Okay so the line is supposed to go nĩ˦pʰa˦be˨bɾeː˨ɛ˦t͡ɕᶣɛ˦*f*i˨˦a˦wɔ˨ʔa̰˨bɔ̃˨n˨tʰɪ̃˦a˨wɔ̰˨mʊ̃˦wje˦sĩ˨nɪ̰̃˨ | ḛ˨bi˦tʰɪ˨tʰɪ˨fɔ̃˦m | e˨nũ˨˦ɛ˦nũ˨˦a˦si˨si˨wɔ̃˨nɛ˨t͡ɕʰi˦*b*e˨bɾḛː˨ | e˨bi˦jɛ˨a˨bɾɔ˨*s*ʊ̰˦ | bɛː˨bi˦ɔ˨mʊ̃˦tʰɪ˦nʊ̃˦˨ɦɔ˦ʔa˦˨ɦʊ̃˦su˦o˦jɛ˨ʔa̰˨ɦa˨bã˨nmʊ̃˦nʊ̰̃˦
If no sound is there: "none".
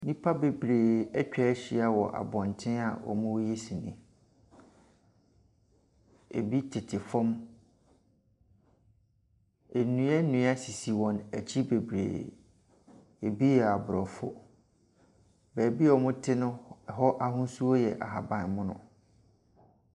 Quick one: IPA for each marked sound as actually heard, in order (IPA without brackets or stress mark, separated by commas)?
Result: ɕ, b, f